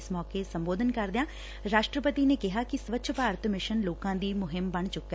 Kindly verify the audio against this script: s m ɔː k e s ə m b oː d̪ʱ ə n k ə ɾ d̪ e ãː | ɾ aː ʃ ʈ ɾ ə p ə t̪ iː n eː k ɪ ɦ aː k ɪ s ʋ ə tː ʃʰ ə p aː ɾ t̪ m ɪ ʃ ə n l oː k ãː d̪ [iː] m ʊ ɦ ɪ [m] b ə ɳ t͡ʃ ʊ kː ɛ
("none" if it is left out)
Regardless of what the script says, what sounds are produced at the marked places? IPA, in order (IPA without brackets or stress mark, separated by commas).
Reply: iː, m